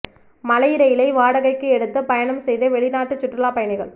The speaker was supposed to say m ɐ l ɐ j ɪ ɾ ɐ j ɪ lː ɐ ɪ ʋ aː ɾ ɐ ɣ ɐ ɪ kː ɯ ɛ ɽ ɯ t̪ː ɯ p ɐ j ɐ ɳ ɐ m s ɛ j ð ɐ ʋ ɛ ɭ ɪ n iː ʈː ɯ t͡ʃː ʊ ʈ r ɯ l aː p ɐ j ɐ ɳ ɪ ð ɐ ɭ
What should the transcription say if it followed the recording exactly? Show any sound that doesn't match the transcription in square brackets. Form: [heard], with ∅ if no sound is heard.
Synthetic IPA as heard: m ɐ l ɐ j ɪ ɾ ɐ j ɪ [l] ɐ ɪ ʋ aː [ɽ] ɐ ɣ ɐ ɪ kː ɯ ɛ ɽ ɯ t̪ː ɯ p ɐ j ɐ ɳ ɐ m s ɛ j ð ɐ ʋ ɛ ɭ ɪ n [aː] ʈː ɯ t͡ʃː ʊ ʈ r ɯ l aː p ɐ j ɐ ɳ ɪ [ɣ] ɐ ɭ